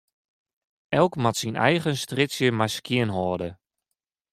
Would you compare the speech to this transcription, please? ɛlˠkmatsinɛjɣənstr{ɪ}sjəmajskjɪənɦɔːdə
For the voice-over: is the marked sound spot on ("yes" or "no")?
yes